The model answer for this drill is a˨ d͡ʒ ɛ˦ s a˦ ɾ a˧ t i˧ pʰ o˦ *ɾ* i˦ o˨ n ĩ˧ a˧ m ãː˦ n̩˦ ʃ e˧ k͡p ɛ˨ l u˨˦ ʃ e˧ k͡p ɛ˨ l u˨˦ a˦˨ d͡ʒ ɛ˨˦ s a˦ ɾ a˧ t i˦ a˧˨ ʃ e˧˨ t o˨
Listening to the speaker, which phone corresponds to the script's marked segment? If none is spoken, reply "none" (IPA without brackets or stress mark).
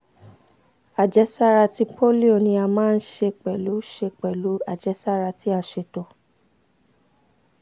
l